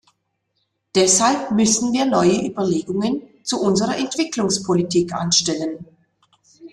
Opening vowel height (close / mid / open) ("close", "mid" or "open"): mid